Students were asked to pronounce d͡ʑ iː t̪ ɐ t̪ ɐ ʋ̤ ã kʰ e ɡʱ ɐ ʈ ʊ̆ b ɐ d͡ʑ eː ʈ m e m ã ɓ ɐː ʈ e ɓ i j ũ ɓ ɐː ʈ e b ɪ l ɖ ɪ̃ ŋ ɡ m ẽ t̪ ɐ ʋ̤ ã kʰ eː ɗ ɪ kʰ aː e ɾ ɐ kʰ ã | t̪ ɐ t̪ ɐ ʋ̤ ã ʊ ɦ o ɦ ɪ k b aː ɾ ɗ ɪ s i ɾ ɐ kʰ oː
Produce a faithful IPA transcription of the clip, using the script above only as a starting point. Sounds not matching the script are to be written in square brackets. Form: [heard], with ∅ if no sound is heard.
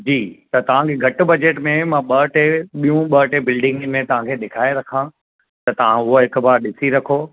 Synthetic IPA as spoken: d͡ʑ iː t̪ ɐ t̪ ɐ ʋ̤ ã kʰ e ɡʱ ɐ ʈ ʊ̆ b ɐ d͡ʑ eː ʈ m [ẽ] m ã ɓ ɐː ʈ e ɓ i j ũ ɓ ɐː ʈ e b ɪ l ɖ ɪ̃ ŋ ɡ m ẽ t̪ ɐ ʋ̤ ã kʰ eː ɗ ɪ kʰ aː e ɾ ɐ kʰ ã | t̪ ɐ t̪ ɐ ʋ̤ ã ʊ ɦ o ɦ ɪ k b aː ɾ ɗ ɪ s i ɾ ɐ kʰ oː